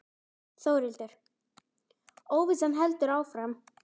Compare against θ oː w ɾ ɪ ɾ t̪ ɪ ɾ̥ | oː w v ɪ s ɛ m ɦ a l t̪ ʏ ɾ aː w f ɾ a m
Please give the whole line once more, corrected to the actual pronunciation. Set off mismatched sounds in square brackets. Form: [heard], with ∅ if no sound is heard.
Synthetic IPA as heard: θ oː w ɾ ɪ [l] t̪ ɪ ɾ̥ | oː w v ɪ s ɛ m ɦ [ɛ] l t̪ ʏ ɾ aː w f ɾ a m